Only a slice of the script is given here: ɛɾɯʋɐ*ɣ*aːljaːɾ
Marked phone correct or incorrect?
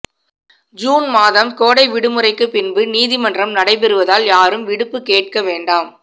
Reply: incorrect